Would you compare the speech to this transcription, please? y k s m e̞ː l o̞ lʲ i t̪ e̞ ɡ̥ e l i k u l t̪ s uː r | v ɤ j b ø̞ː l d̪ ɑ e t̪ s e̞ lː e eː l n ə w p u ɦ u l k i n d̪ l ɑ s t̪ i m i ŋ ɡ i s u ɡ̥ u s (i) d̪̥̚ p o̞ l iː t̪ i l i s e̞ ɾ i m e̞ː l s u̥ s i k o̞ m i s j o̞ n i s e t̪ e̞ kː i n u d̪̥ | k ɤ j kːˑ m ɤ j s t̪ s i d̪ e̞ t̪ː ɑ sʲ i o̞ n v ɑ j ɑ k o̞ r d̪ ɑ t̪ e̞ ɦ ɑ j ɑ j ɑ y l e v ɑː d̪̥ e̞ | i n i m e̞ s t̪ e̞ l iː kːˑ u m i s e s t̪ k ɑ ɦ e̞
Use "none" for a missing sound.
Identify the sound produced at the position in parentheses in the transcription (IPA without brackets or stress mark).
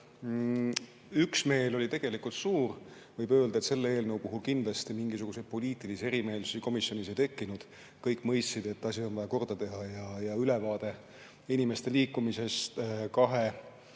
e